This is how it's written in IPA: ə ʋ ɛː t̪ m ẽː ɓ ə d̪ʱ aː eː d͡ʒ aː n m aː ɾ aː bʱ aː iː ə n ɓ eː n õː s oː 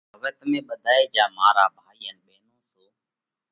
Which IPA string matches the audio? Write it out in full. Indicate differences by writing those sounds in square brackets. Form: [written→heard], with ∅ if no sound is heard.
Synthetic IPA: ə ʋ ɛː t̪ m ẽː ɓ ə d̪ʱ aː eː d͡ʒ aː [n→∅] m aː ɾ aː bʱ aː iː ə n ɓ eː n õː s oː